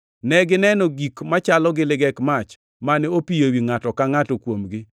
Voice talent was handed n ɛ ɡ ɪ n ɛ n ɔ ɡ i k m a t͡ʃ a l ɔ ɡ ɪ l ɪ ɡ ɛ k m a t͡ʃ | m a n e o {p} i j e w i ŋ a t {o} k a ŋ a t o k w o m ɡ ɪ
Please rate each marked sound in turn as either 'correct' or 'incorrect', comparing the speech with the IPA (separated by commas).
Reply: correct, incorrect